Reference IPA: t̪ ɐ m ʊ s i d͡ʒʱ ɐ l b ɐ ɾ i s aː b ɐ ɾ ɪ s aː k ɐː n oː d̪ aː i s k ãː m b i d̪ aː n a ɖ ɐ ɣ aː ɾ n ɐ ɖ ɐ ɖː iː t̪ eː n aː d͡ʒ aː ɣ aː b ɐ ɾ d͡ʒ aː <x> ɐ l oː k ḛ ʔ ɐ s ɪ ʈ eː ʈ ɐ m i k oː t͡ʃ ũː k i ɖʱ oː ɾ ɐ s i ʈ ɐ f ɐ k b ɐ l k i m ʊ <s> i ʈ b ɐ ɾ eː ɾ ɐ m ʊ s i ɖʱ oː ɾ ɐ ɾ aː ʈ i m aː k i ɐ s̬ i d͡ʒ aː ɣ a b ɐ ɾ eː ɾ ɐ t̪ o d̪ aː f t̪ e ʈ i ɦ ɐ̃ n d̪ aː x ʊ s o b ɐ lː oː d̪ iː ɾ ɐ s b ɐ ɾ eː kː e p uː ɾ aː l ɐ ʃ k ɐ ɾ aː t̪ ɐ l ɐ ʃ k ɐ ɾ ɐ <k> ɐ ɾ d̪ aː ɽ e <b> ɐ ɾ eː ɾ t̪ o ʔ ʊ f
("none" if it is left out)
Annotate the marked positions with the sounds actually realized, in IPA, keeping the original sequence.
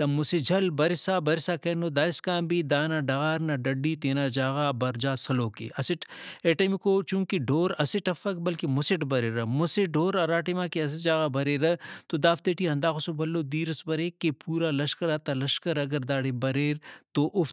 s, s, ɡ, b

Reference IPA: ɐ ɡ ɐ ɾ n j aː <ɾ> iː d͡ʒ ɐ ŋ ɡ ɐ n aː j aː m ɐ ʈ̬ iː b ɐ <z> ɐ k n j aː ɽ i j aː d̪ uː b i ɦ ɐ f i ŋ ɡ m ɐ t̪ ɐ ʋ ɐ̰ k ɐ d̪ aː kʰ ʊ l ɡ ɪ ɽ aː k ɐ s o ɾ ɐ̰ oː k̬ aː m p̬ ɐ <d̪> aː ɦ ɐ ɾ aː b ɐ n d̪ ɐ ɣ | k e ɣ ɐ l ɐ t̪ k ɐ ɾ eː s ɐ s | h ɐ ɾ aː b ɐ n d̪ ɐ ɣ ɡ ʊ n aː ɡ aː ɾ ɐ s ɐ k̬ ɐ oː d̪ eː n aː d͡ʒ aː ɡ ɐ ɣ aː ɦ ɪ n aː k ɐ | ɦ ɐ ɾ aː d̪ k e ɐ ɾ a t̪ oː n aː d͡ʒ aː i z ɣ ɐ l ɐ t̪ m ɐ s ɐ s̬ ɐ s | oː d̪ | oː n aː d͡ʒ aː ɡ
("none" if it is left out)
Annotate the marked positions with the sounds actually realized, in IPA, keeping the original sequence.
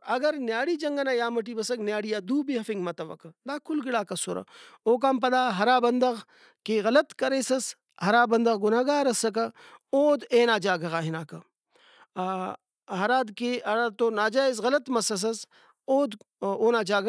ɽ, s, d̪

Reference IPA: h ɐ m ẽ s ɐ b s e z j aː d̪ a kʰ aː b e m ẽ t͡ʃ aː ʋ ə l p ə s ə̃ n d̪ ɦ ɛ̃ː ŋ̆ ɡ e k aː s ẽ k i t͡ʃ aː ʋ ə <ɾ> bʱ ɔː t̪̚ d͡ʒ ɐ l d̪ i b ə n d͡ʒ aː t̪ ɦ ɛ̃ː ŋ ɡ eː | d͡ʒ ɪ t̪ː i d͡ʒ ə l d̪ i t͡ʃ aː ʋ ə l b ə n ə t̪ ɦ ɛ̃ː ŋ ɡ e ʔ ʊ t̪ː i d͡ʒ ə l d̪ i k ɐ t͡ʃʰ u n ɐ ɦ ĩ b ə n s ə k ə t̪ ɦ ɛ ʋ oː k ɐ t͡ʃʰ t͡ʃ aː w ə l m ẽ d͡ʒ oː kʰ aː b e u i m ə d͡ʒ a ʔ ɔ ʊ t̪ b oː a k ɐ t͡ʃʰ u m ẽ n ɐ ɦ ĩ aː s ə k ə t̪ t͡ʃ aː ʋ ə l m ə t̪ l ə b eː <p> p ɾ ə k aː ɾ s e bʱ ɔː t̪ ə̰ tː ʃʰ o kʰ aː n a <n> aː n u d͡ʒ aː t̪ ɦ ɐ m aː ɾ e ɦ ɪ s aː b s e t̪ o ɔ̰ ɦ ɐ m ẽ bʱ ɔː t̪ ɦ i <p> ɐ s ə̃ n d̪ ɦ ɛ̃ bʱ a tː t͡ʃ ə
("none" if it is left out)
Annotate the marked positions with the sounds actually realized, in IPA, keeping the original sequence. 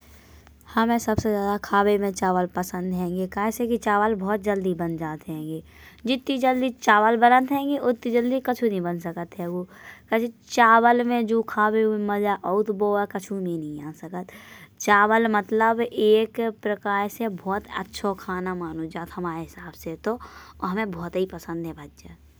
l, k, m, p

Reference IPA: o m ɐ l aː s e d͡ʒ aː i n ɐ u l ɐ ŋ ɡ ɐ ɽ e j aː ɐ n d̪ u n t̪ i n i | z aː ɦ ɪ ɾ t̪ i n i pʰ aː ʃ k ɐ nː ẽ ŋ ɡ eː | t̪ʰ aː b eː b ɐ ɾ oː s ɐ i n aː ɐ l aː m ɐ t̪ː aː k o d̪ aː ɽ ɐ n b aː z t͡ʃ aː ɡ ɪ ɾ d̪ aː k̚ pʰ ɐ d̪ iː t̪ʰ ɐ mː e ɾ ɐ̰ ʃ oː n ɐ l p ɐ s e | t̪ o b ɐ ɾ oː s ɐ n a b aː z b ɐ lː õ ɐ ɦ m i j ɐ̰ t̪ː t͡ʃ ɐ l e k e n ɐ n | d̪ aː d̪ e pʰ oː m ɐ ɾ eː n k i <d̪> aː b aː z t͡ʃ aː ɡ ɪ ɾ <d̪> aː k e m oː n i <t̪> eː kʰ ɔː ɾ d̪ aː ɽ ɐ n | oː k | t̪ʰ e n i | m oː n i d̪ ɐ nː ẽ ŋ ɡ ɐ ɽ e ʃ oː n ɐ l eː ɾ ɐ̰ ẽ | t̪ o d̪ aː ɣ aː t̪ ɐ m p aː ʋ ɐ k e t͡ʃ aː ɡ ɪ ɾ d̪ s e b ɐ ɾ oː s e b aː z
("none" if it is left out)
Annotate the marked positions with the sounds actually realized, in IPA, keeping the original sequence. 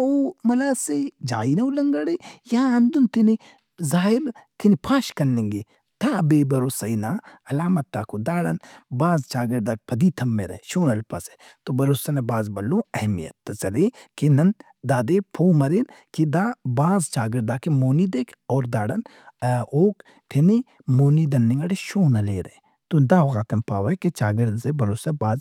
d̪, d̪, d̪

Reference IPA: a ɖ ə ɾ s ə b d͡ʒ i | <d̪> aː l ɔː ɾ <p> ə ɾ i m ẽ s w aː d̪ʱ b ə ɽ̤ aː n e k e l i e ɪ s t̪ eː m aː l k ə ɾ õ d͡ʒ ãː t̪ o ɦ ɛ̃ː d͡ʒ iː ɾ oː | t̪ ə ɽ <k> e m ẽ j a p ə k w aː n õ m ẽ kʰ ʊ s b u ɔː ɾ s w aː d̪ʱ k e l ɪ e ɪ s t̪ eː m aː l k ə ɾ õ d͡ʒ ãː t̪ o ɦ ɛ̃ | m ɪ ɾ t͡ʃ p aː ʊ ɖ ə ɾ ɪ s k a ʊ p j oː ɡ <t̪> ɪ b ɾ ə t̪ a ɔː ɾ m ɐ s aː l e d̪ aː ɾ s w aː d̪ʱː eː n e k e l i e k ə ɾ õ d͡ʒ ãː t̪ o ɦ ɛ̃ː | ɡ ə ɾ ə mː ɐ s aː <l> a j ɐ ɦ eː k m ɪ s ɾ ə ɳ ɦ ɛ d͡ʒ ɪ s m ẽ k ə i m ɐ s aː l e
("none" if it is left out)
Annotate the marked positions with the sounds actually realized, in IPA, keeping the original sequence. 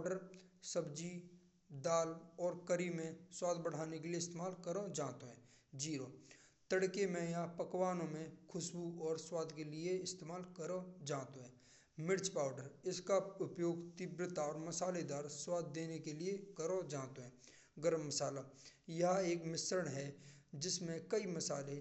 d̪, k, k, t̪, l

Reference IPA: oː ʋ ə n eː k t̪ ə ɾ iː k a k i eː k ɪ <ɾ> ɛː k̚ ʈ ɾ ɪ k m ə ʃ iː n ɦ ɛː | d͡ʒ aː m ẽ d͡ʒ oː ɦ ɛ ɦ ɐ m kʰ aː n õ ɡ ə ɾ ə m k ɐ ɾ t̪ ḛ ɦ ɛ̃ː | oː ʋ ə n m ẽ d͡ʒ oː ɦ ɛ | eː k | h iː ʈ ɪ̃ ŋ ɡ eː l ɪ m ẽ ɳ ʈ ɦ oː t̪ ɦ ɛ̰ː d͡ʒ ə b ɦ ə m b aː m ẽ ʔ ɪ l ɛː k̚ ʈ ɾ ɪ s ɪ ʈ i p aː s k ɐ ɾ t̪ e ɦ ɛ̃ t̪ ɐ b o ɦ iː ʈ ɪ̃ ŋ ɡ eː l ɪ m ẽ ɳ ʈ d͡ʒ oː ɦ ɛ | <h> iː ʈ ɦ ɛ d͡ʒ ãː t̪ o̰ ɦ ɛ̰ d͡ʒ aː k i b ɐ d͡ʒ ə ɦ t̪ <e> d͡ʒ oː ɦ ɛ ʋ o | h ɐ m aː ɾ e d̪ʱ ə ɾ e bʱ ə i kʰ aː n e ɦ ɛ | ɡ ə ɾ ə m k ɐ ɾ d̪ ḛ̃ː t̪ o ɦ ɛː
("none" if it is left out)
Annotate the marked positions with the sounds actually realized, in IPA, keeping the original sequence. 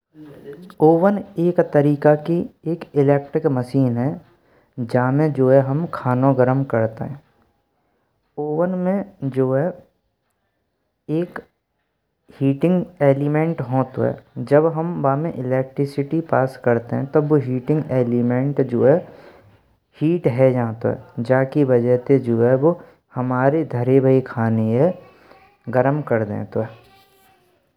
l, h, e

